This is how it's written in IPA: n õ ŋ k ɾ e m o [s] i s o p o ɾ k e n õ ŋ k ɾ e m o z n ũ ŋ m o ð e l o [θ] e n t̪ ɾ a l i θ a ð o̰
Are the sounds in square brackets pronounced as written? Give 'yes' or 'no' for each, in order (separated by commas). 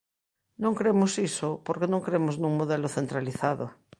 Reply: yes, yes